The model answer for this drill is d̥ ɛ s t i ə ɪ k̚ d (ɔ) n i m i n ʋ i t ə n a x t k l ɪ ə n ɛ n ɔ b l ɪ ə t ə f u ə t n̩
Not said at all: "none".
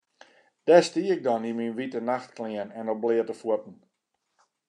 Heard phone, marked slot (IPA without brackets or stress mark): ɔ